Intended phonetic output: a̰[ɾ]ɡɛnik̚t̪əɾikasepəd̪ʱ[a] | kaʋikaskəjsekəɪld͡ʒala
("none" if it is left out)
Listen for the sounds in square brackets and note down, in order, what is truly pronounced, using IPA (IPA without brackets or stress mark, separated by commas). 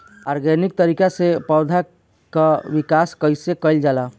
ɾ, a